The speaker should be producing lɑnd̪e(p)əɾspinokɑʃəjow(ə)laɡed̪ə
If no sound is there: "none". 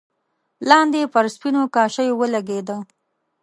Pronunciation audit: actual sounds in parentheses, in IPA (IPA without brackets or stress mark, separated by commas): p, ə